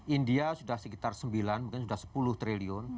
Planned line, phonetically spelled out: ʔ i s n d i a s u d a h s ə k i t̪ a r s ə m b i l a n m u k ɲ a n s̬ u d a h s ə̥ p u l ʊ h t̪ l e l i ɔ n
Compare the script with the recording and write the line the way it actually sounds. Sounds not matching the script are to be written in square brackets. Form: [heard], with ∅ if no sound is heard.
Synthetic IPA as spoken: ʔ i [∅] n d i a s u d a h s ə k i t̪ a r s ə m b i l a n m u k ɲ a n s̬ u d a h s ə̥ p u l ʊ h t̪ [ɾ] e l i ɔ n